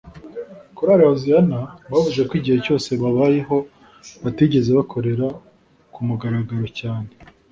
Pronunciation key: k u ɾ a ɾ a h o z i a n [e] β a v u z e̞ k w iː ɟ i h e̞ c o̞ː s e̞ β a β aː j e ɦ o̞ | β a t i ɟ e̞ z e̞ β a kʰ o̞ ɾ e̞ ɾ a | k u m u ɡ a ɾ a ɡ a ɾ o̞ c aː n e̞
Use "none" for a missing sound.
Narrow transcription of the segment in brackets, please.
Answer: a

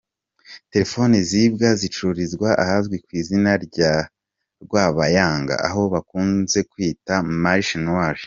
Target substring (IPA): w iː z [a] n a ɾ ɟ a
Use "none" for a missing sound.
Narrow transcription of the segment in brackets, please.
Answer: i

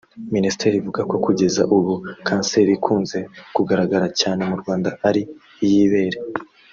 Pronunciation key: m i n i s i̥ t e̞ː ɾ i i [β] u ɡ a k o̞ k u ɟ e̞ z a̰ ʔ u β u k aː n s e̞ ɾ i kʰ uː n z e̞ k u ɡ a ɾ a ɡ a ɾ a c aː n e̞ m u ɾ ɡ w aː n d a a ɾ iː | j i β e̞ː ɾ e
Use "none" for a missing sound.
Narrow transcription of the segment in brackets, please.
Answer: v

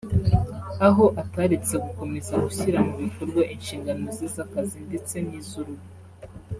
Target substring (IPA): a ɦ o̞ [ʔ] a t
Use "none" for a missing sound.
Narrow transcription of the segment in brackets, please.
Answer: ʔ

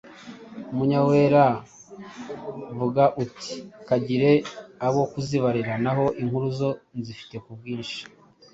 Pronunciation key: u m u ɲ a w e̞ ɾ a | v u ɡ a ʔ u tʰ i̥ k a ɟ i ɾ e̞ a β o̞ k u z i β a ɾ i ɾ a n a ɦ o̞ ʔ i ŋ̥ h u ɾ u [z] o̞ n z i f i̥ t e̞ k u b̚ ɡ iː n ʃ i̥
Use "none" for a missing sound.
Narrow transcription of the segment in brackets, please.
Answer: z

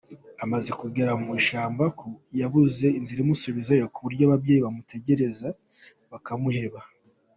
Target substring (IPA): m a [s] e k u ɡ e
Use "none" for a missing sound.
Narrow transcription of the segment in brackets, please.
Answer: z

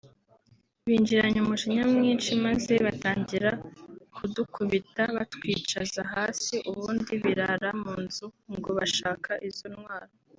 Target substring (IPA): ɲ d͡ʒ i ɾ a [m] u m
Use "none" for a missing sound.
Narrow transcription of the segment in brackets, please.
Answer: ɲ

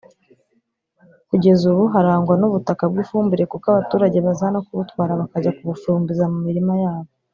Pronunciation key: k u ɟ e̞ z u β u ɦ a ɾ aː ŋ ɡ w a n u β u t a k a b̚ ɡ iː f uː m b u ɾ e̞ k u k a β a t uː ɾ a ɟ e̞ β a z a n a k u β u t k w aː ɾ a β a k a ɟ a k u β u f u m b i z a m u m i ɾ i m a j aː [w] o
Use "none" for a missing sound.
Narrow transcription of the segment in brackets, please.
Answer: β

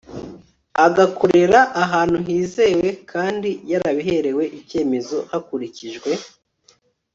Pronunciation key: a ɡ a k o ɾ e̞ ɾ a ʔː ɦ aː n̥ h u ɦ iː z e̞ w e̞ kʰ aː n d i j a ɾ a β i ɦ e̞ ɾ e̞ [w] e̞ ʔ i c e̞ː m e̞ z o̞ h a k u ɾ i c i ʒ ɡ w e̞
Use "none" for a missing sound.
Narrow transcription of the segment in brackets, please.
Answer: w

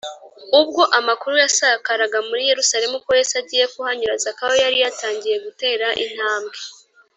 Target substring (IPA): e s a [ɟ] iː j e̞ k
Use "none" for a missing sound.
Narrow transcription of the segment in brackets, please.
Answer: ɟ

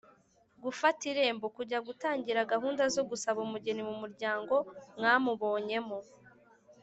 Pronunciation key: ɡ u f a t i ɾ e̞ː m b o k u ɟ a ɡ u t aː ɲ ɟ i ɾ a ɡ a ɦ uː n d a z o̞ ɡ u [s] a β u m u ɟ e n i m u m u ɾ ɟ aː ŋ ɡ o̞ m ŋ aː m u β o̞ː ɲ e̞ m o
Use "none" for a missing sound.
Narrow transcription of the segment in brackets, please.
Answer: s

